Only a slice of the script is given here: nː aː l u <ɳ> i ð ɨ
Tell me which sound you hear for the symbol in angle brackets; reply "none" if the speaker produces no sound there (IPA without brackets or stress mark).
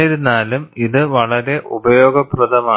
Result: m